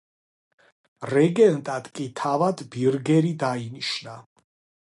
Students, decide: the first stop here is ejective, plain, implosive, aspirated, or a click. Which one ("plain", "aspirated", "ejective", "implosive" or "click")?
plain